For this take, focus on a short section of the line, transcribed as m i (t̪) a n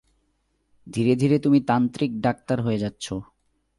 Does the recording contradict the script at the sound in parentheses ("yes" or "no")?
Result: no